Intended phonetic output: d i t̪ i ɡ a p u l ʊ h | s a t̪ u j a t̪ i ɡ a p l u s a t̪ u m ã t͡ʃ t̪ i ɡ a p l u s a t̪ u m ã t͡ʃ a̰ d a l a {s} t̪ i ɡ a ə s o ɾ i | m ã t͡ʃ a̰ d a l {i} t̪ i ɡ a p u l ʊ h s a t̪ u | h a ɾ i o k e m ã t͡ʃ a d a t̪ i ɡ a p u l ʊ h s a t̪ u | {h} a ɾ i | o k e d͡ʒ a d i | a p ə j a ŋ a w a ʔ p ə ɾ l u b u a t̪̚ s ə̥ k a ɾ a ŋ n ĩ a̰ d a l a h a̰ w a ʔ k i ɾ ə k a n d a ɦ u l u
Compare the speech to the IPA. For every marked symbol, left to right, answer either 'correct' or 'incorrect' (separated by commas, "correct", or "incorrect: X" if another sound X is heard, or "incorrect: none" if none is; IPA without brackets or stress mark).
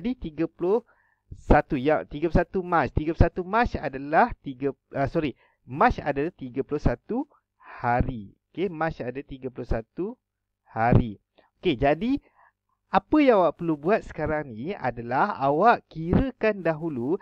incorrect: h, incorrect: a, correct